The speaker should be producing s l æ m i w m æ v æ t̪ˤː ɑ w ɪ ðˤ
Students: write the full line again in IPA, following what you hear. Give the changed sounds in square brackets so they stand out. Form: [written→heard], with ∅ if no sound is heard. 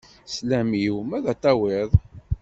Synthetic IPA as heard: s l æ m i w m æ [v→ð] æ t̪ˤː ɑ w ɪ ðˤ